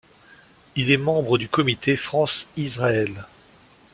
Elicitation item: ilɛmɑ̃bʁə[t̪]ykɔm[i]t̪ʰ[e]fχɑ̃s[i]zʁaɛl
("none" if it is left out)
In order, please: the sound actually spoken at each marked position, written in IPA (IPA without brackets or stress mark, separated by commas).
d̪, i, e, i